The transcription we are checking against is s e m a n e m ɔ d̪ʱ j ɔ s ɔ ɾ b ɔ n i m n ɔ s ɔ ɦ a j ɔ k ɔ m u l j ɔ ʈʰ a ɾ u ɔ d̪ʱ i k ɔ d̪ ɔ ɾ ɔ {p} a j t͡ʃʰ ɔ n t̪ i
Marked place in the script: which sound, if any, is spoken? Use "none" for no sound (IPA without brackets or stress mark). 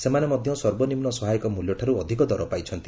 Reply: p